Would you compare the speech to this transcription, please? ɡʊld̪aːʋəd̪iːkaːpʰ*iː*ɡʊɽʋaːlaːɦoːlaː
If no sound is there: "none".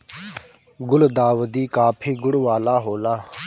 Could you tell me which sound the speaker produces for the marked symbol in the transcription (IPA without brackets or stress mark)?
iː